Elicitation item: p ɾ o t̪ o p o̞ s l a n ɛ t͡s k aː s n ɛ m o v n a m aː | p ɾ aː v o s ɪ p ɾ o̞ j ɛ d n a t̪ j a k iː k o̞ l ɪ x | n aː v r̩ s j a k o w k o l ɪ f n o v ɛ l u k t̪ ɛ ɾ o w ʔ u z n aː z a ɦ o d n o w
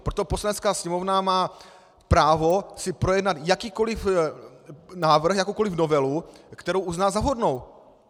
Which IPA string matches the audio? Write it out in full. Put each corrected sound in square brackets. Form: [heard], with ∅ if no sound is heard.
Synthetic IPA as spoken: p ɾ o t̪ o p o̞ s l a n ɛ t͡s k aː s [ɲ] ɛ m o v n a m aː | p ɾ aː v o s ɪ p ɾ o̞ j ɛ d n a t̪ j a k iː k o̞ l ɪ [f] | n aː v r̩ [x] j a k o w k o l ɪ f n o v ɛ l u k t̪ ɛ ɾ o w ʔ u z n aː z a ɦ o d n o w